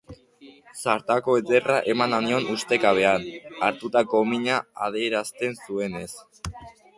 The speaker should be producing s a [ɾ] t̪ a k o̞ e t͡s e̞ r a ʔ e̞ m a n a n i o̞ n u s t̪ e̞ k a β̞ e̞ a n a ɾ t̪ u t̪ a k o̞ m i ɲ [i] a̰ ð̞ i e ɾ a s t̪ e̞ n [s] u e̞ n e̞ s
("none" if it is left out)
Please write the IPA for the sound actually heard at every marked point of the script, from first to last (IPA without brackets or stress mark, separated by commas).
ɾ, a, s